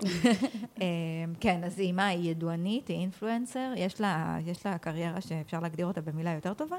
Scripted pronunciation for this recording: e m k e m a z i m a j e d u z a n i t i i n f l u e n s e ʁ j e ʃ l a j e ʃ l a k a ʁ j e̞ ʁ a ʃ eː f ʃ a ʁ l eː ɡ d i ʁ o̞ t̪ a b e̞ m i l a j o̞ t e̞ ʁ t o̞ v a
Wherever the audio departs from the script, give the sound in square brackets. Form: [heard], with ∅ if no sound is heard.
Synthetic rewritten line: e m k e [n] a z i m a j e d u [∅] a n i t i i n f l u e n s e ʁ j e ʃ l a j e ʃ l a k a ʁ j e̞ ʁ a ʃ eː f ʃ a ʁ l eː ɡ d i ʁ o̞ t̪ a b e̞ m i l a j o̞ t e̞ ʁ t o̞ v a